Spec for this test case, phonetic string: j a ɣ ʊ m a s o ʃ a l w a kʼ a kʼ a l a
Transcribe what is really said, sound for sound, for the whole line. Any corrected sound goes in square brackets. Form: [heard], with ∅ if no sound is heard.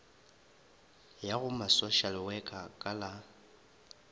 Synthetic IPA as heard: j a ɣ ʊ m a s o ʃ a l w [ɛ] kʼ a kʼ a l a